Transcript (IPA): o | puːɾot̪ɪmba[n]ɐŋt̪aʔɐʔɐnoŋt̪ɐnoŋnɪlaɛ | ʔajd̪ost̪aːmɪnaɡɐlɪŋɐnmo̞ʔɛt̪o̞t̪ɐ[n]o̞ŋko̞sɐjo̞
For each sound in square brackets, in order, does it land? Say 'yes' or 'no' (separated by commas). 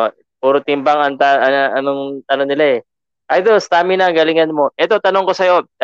no, yes